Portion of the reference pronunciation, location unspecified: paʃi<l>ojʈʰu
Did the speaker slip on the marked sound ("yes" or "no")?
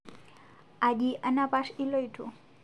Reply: no